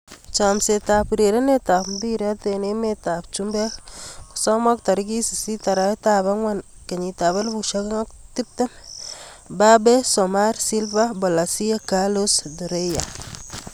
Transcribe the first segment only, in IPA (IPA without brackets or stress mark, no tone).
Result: t͡ʃ